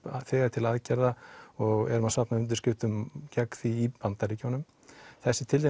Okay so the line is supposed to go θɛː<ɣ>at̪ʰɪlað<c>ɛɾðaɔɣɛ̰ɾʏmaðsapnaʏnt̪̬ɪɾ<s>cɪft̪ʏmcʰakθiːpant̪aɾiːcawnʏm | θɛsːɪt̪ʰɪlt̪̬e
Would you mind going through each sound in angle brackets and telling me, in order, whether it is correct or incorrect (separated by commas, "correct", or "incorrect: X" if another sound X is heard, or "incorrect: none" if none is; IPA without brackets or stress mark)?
correct, correct, correct